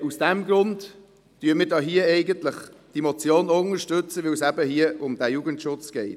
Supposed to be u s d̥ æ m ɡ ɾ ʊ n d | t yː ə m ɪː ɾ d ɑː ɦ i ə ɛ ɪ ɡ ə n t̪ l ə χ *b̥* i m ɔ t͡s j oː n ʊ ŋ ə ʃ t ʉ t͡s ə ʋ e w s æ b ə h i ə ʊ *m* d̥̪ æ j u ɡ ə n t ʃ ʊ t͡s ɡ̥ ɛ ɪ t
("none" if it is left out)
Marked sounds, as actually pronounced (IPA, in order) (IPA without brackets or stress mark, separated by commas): d̥, m